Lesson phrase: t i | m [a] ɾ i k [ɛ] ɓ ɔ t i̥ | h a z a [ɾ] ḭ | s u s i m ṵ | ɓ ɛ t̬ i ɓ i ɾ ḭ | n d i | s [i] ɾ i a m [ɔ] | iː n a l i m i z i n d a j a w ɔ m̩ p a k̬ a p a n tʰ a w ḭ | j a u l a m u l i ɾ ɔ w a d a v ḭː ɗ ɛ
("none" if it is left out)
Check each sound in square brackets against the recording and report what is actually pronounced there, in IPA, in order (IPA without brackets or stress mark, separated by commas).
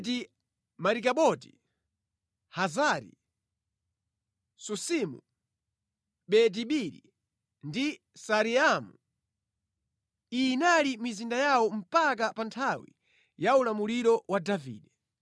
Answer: a, a, ɾ, a, u